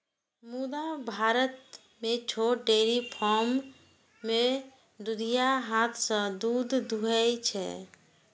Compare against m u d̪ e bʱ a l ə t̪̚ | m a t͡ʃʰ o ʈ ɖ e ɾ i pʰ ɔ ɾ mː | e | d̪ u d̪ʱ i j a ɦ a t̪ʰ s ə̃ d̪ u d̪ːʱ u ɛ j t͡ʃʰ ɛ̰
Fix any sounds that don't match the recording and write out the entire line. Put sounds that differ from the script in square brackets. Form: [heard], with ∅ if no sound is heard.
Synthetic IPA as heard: m u d̪ [a] bʱ a [ɾ] ə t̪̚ | m [e] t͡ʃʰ o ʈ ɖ e ɾ i pʰ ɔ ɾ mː | e | d̪ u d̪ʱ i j a ɦ a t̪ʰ s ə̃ d̪ u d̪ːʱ u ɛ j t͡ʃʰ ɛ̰